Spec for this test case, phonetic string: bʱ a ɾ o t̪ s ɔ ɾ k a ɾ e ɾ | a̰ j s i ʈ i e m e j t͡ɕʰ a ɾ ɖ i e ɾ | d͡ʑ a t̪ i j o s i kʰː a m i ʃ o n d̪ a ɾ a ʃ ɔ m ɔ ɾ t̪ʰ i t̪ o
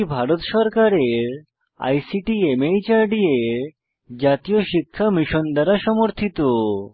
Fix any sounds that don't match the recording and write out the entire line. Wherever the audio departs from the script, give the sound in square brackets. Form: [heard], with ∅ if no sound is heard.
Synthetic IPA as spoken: bʱ a ɾ o t̪ [ʃ] ɔ ɾ k a ɾ e ɾ | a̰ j s i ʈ i e m e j [t͡ɕ] a ɾ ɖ i e ɾ | d͡ʑ a t̪ i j o [ʃ] i kʰː a m i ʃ o n d̪ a ɾ a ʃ ɔ m [o] ɾ t̪ʰ i t̪ o